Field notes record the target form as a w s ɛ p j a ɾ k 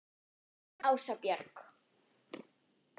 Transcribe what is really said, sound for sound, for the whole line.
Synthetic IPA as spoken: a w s a p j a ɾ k